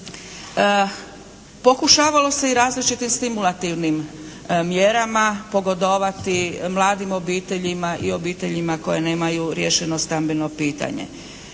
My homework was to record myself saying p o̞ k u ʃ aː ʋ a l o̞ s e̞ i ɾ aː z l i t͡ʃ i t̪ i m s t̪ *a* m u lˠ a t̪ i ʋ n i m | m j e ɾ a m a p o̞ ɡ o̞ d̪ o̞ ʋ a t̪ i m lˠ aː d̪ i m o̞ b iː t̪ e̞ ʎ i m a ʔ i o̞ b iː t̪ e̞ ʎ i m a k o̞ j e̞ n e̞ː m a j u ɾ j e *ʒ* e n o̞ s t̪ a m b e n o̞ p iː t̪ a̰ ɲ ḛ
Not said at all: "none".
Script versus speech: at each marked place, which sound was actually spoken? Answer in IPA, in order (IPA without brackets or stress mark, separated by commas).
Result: i, ʃ